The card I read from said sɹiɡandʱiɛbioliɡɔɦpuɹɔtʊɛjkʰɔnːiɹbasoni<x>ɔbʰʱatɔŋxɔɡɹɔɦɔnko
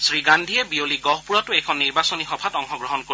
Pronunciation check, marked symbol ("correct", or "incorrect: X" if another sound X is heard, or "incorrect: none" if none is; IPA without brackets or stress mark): correct